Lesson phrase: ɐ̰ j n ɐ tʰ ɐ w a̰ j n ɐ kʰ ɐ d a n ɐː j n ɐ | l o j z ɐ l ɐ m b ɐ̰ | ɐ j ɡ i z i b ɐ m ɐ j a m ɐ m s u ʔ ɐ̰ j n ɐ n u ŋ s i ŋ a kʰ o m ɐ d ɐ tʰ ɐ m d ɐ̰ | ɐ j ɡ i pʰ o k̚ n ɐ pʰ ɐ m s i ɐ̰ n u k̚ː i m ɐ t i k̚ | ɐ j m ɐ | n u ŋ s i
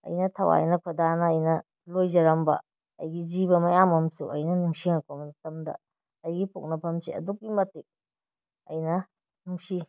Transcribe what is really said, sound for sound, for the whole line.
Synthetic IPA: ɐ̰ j n ɐ tʰ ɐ w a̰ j n ɐ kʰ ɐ d a n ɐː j n ɐ | l o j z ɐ ɾ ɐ m b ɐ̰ | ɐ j ɡ i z i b ɐ m ɐ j a m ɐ m s u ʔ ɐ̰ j n ɐ n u ŋ s i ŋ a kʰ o m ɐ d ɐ t ɐ m d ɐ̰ | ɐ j ɡ i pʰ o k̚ n ɐ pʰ ɐ m s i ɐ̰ d u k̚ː i m ɐ t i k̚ | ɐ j n ɐ | n u ŋ s i